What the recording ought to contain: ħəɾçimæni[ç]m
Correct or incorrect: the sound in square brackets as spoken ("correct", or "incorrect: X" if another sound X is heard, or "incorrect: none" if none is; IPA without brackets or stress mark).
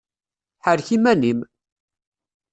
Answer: incorrect: none